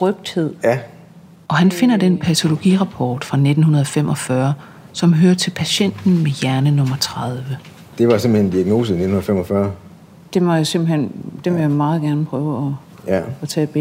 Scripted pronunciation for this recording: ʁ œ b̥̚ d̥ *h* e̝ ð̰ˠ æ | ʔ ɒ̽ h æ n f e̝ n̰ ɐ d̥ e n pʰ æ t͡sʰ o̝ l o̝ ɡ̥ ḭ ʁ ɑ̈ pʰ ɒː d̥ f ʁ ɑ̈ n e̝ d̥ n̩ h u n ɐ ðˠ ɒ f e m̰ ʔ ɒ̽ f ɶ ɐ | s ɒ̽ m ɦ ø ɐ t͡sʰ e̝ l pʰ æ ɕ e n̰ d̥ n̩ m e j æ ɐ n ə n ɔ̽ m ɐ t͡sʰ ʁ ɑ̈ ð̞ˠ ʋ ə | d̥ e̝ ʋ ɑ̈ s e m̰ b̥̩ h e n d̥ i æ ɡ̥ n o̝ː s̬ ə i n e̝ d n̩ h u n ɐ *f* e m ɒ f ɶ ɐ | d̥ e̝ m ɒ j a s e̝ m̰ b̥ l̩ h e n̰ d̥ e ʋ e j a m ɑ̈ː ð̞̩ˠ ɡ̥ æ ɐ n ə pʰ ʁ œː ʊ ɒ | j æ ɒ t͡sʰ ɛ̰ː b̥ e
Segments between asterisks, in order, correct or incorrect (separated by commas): correct, correct